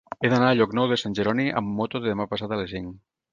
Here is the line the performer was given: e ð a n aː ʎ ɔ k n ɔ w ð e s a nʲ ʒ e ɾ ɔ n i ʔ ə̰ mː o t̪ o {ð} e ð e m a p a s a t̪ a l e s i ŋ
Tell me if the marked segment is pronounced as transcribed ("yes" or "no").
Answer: yes